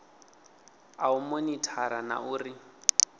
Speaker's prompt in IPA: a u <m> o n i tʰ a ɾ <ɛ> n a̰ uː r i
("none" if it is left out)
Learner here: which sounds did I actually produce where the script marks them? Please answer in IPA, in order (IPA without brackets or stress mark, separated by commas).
m, a